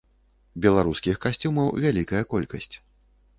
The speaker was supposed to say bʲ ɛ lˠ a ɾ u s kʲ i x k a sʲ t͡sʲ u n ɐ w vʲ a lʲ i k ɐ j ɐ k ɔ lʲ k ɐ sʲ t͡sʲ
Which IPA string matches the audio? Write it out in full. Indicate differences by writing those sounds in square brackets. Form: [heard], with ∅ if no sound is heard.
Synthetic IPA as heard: bʲ ɛ lˠ a ɾ u s kʲ i x k a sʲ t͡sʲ u [m] ɐ w vʲ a lʲ i k ɐ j ɐ k ɔ lʲ k ɐ sʲ t͡sʲ

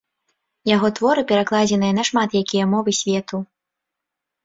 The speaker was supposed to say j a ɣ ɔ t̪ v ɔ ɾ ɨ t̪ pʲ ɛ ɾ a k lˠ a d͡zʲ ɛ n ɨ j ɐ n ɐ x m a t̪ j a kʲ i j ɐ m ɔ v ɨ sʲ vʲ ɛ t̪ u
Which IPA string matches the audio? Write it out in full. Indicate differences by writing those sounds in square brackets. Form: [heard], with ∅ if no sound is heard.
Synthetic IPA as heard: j a ɣ ɔ t̪ v ɔ ɾ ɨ [∅] pʲ ɛ ɾ a k lˠ a d͡zʲ ɛ n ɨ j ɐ n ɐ [ʂ] m a t̪ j a kʲ i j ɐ m ɔ v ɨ sʲ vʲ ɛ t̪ u

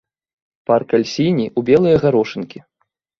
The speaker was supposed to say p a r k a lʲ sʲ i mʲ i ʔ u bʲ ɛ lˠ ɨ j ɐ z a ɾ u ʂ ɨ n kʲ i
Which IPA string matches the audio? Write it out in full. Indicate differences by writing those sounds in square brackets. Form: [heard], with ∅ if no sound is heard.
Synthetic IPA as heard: p a r k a lʲ sʲ i [nʲ] i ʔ u bʲ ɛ lˠ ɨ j ɐ [ɣ] a ɾ [ɔ] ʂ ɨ n kʲ i

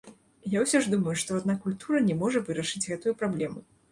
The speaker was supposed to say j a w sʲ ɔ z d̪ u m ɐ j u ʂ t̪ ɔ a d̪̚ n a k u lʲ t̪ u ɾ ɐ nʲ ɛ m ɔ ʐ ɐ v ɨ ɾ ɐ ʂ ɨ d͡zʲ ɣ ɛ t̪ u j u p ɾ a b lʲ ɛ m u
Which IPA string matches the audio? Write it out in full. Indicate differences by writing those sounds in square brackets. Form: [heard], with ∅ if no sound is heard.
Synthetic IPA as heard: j a w sʲ ɔ [ʐ] d̪ u m ɐ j u ʂ t̪ ɔ a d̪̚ n a k u lʲ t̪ u ɾ ɐ nʲ ɛ m ɔ ʐ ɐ v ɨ ɾ ɐ ʂ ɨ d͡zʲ ɣ ɛ t̪ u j u p ɾ a b lʲ ɛ m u

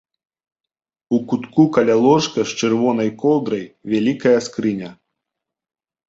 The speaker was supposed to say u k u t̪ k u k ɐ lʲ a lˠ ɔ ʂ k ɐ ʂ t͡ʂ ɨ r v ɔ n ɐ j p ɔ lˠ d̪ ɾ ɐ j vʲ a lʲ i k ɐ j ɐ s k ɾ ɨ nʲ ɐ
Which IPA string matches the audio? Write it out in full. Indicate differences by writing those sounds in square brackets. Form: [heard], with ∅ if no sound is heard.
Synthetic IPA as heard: u k u t̪ k u k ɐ lʲ a lˠ ɔ ʂ k ɐ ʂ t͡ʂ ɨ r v ɔ n ɐ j [k] ɔ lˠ d̪ ɾ ɐ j vʲ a lʲ i k ɐ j ɐ s k ɾ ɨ nʲ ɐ

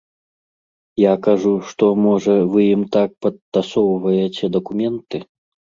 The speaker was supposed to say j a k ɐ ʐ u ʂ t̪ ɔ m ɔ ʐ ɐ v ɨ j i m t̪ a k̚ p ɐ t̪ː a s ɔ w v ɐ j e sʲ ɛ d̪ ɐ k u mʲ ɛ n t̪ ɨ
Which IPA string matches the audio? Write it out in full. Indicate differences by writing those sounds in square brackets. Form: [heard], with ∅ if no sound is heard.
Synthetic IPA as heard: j a k [a] ʐ u ʂ t̪ ɔ m ɔ ʐ ɐ v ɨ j i m t̪ a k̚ p ɐ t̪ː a s ɔ w v ɐ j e [t͡sʲ] ɛ d̪ ɐ k u mʲ ɛ n t̪ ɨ

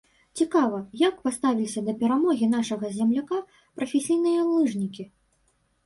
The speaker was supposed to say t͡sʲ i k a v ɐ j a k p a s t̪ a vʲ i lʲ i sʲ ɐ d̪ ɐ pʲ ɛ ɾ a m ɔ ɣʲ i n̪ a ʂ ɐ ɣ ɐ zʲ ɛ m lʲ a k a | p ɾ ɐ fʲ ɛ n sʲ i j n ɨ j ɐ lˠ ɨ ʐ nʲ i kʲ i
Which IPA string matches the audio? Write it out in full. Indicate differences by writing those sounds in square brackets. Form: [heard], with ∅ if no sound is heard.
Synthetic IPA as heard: t͡sʲ i k a v ɐ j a k p a s t̪ a vʲ i lʲ i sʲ ɐ d̪ ɐ pʲ ɛ ɾ a m ɔ ɣʲ i n̪ a ʂ ɐ ɣ ɐ zʲ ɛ m lʲ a k a | p ɾ ɐ fʲ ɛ [∅] sʲ i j n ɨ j ɐ lˠ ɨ ʐ nʲ i kʲ i

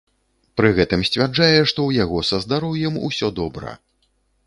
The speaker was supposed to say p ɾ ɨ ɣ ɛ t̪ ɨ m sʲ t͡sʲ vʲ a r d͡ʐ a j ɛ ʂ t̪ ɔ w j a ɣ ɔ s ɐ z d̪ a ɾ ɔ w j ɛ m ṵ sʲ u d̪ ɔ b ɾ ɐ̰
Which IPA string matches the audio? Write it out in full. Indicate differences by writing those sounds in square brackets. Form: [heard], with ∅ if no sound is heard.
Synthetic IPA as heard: p ɾ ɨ ɣ ɛ t̪ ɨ m sʲ t͡sʲ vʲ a r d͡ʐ a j ɛ ʂ t̪ ɔ w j a ɣ ɔ s ɐ z d̪ a ɾ ɔ w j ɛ m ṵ sʲ [ɔ] d̪ ɔ b ɾ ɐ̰

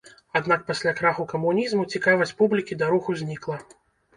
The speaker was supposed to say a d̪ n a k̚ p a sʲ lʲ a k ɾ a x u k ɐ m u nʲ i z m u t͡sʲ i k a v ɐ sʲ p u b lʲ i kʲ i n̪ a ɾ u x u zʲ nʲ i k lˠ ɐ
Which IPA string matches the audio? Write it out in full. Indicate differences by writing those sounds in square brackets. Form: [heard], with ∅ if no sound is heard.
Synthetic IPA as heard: a d̪ n a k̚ p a sʲ lʲ a k ɾ a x u k ɐ m u nʲ i z m u t͡sʲ i k a v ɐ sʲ p u b lʲ i kʲ i [d̪] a ɾ u x u zʲ nʲ i k lˠ ɐ

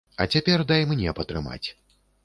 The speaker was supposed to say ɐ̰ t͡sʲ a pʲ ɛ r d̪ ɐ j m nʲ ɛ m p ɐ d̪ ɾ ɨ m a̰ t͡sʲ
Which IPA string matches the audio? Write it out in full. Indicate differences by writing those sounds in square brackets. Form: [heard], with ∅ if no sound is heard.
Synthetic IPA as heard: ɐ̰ t͡sʲ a pʲ ɛ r d̪ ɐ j m nʲ ɛ [∅] p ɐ [t̪] ɾ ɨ m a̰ t͡sʲ

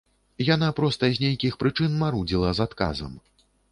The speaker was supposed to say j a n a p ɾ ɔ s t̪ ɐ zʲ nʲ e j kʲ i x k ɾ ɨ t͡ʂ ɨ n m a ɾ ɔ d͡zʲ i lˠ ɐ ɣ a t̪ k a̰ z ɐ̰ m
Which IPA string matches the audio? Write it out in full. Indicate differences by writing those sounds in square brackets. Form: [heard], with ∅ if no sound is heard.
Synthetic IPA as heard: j a n a p ɾ ɔ s t̪ ɐ zʲ nʲ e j kʲ i x [p] ɾ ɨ t͡ʂ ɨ n m a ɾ [u] d͡zʲ i lˠ ɐ [z] a t̪ k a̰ z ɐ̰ m

